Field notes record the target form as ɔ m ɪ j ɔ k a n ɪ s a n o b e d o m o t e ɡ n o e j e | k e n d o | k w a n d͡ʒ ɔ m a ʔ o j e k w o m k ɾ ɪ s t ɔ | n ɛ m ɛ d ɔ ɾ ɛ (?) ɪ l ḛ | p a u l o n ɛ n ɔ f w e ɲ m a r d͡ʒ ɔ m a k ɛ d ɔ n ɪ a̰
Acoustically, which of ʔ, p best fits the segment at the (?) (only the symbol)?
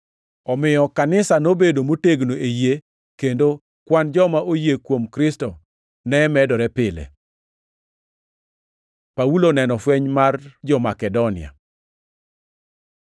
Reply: p